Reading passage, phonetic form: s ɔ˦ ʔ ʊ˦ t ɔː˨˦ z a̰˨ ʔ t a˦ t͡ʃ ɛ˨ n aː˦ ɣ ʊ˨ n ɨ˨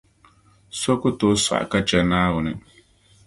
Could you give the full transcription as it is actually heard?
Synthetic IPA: s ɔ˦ k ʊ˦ t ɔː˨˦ s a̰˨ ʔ k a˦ t͡ʃ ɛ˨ n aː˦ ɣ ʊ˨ n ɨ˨